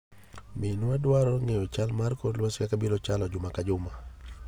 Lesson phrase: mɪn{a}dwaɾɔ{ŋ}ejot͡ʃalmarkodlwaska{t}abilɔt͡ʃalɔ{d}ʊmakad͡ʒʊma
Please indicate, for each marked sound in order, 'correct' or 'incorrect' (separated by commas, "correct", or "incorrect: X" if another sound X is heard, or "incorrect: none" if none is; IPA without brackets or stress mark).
correct, correct, incorrect: k, incorrect: d͡ʒ